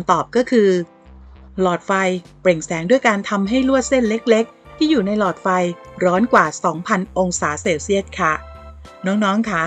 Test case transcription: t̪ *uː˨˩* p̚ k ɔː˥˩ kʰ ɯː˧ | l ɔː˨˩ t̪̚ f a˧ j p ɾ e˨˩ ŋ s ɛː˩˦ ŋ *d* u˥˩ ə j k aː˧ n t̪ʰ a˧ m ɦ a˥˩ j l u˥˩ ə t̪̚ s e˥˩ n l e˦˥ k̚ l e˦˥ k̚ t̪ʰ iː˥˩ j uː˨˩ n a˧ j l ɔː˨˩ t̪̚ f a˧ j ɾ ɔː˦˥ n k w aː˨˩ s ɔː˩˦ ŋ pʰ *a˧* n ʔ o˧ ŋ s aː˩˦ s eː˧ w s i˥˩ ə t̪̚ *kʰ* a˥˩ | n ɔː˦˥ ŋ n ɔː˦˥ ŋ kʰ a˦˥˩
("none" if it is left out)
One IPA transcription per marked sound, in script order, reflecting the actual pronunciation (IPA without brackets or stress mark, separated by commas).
ɔː˨˩, d, a˧, kʰ